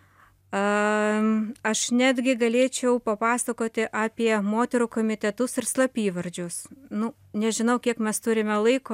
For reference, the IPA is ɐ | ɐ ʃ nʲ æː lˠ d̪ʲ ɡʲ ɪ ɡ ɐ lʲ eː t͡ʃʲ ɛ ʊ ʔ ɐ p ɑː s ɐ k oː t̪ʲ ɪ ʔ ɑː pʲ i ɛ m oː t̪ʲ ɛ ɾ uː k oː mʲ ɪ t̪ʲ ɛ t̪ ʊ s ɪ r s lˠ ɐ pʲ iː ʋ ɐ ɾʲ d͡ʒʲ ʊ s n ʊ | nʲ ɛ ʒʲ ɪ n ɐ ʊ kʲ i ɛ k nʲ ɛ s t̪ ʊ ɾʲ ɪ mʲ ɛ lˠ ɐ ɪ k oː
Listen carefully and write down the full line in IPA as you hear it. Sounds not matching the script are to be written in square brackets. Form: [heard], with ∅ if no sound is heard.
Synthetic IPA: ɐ | ɐ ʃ nʲ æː [∅] d̪ʲ ɡʲ ɪ ɡ ɐ lʲ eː t͡ʃʲ ɛ ʊ [p] ɐ p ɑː s ɐ k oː t̪ʲ ɪ ʔ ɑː pʲ i ɛ m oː t̪ʲ ɛ ɾ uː k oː mʲ ɪ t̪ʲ ɛ t̪ ʊ s ɪ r s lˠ ɐ pʲ iː ʋ ɐ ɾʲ d͡ʒʲ ʊ s n ʊ | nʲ ɛ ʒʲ ɪ n ɐ ʊ kʲ i ɛ k [mʲ] ɛ s t̪ ʊ ɾʲ ɪ mʲ ɛ lˠ ɐ ɪ k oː

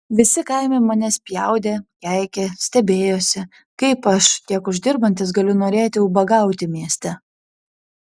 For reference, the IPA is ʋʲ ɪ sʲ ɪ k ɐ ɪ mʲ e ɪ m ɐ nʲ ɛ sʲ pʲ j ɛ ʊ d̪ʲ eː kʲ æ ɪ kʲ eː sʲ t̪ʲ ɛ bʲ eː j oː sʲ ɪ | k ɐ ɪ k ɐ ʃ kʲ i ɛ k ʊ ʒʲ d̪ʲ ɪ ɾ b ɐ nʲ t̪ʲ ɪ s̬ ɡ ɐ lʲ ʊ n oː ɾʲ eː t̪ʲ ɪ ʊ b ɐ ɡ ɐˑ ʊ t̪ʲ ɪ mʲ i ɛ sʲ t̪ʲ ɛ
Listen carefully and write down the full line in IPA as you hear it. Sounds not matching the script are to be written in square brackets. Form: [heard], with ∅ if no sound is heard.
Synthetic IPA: ʋʲ ɪ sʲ ɪ k ɐ ɪ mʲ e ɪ m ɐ nʲ ɛ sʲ pʲ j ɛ ʊ d̪ʲ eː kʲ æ ɪ kʲ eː sʲ t̪ʲ ɛ bʲ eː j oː sʲ ɪ | k ɐ ɪ [p] ɐ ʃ kʲ i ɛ k ʊ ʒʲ d̪ʲ ɪ ɾ b ɐ nʲ t̪ʲ ɪ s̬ ɡ ɐ lʲ ʊ n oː ɾʲ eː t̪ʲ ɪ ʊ b ɐ ɡ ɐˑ ʊ t̪ʲ ɪ mʲ i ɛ sʲ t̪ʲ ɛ

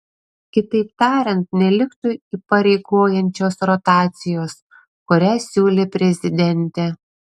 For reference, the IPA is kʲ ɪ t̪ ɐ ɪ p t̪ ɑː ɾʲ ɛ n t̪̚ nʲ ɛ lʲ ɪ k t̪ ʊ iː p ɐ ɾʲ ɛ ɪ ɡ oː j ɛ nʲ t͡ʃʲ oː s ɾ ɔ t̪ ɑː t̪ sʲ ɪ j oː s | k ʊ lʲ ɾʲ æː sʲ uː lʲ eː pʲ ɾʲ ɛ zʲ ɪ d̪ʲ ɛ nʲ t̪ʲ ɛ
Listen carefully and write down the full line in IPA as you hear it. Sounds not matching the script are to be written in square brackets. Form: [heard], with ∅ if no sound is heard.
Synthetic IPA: kʲ ɪ t̪ ɐ ɪ p t̪ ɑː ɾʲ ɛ n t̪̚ nʲ ɛ lʲ ɪ k t̪ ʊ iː p ɐ ɾʲ ɛ ɪ ɡ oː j ɛ nʲ t͡ʃʲ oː s ɾ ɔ t̪ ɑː t̪ sʲ ɪ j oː s | k ʊ [∅] ɾʲ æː sʲ uː lʲ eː pʲ ɾʲ ɛ zʲ ɪ d̪ʲ ɛ nʲ t̪ʲ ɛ

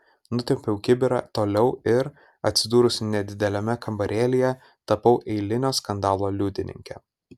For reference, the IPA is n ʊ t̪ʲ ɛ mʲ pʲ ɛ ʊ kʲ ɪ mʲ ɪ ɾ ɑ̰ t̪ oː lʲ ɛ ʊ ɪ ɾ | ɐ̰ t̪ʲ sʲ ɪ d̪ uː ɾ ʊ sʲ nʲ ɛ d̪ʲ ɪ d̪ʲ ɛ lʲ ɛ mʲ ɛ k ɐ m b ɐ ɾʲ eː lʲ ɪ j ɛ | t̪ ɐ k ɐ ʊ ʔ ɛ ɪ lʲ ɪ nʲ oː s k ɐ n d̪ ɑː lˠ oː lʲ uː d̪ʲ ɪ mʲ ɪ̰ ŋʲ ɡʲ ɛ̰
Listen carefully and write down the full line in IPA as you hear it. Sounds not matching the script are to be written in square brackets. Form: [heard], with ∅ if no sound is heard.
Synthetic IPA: n ʊ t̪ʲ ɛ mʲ pʲ ɛ ʊ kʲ ɪ [bʲ] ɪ ɾ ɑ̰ t̪ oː lʲ ɛ ʊ ɪ ɾ | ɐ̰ t̪ʲ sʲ ɪ d̪ uː ɾ ʊ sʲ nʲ ɛ d̪ʲ ɪ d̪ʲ ɛ lʲ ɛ mʲ ɛ k ɐ m b ɐ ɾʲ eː lʲ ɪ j ɛ | t̪ ɐ [p] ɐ ʊ ʔ ɛ ɪ lʲ ɪ nʲ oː s k ɐ n d̪ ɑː lˠ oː lʲ uː d̪ʲ ɪ [nʲ] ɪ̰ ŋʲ [kʲ] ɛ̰

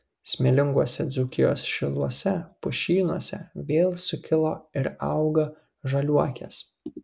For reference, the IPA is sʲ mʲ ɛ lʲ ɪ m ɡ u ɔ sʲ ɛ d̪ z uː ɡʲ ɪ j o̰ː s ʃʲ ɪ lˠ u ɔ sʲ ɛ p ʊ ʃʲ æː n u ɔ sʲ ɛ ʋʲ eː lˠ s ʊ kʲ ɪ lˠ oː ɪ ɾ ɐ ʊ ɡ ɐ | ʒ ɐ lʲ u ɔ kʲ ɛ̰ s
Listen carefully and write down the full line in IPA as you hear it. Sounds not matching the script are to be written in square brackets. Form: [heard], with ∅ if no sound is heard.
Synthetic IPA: sʲ mʲ ɛ lʲ ɪ [ŋ] ɡ u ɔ sʲ ɛ d̪ z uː [kʲ] ɪ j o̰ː s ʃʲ ɪ lˠ u ɔ sʲ ɛ p ʊ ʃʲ [iː] n u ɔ sʲ ɛ ʋʲ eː lˠ s ʊ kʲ ɪ lˠ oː ɪ ɾ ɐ ʊ ɡ ɐ | ʒ ɐ lʲ u ɔ kʲ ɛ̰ s

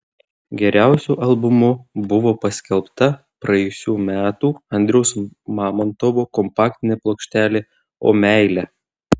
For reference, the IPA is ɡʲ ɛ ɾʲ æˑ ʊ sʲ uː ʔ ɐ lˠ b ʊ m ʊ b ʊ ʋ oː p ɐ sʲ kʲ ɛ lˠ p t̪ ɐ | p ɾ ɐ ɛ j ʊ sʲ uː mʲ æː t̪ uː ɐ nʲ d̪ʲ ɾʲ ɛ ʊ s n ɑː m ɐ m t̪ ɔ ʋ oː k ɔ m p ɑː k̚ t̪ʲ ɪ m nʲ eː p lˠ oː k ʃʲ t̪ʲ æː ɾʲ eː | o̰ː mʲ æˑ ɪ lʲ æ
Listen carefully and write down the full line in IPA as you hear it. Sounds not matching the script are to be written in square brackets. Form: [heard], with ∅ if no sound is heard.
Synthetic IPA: ɡʲ ɛ ɾʲ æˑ ʊ sʲ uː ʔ ɐ lˠ b ʊ m ʊ b ʊ ʋ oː p ɐ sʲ kʲ ɛ lˠ p t̪ ɐ | p ɾ ɐ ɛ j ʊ sʲ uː mʲ æː t̪ uː ɐ nʲ d̪ʲ ɾʲ ɛ ʊ s [m] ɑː m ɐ [n] t̪ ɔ ʋ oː k ɔ m p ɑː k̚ t̪ʲ ɪ [∅] nʲ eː p lˠ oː k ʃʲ t̪ʲ æː [lʲ] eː | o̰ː mʲ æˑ ɪ lʲ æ

